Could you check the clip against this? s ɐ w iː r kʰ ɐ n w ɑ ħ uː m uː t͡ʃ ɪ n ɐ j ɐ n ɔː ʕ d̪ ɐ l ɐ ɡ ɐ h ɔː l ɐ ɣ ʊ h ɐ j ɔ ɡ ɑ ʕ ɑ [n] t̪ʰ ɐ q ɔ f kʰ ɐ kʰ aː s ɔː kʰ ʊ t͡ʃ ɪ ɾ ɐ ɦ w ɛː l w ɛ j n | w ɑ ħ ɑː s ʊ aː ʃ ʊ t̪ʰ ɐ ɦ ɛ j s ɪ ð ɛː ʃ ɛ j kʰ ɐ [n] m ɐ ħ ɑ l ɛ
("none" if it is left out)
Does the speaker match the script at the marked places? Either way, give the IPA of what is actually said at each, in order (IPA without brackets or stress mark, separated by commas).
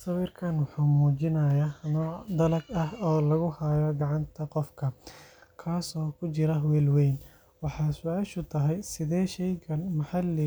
n, n